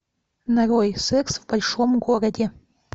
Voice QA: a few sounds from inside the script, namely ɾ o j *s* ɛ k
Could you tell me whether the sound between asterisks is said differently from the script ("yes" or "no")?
no